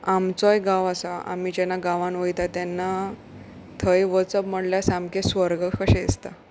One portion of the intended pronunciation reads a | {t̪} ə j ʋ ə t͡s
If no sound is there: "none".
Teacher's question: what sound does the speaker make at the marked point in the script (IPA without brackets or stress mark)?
t̪ʰ